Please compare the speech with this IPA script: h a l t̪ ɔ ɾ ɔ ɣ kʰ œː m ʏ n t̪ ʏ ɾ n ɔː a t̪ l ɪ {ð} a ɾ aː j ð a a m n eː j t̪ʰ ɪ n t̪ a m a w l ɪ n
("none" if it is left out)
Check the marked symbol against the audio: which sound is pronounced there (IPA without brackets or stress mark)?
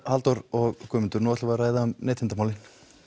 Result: v